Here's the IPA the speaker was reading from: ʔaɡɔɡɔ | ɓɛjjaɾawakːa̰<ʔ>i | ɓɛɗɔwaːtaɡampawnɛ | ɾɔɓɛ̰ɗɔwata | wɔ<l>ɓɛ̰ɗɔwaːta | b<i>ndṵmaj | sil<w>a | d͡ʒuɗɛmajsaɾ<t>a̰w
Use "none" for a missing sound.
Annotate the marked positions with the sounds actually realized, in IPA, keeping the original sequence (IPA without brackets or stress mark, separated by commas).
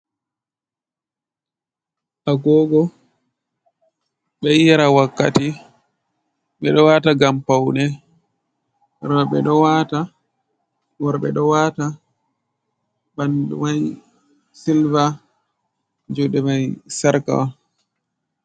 t, ɾ, a, v, k